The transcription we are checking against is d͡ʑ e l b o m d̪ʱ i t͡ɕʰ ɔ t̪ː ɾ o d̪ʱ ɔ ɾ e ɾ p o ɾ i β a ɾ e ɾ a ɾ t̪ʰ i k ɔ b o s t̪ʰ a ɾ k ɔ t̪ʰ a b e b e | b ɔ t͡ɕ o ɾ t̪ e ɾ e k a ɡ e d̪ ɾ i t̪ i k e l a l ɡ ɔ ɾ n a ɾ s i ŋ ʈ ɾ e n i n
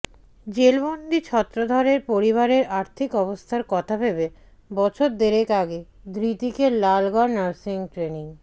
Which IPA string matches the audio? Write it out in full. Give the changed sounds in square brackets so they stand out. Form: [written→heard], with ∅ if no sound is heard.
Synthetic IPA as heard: d͡ʑ e l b o [m→n] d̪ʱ i t͡ɕʰ ɔ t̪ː ɾ o d̪ʱ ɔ ɾ e ɾ p o ɾ i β a ɾ e ɾ a ɾ t̪ʰ i k ɔ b o s t̪ʰ a ɾ k ɔ t̪ʰ a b e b e | b ɔ [t͡ɕ→t͡ɕʰ] o ɾ [t̪→d̪] e ɾ e k a ɡ e d̪ ɾ i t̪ i k e l a l ɡ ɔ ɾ n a ɾ s i ŋ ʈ ɾ e n i [n→ŋ]